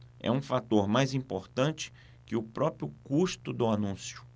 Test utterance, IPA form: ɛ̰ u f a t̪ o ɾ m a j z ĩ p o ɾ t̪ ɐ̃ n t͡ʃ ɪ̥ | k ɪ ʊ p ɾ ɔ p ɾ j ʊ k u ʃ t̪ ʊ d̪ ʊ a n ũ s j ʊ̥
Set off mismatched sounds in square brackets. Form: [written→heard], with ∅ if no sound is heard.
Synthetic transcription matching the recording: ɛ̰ [u→ũ] f a t̪ o ɾ m a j z ĩ p o ɾ t̪ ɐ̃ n t͡ʃ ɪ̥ | k ɪ ʊ p ɾ ɔ p ɾ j ʊ k u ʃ t̪ ʊ d̪ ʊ a n ũ s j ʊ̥